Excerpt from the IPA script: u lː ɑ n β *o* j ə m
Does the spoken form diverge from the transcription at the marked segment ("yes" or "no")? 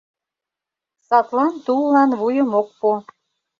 yes